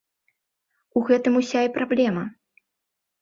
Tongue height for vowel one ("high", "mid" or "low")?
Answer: high